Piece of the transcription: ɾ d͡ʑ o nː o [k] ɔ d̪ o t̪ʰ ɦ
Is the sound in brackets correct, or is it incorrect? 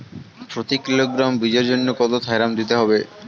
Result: correct